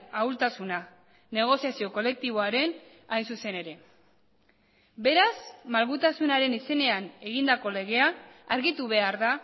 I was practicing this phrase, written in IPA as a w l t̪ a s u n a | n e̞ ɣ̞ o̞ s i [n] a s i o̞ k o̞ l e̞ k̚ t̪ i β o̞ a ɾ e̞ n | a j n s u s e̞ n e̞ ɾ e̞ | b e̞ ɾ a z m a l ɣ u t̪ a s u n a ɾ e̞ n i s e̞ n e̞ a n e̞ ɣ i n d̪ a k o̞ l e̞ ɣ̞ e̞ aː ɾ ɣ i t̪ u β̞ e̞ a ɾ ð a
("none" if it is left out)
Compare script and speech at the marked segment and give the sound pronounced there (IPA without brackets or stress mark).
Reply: none